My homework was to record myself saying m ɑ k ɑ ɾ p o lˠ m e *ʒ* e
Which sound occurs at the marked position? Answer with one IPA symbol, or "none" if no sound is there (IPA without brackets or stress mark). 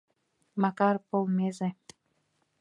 z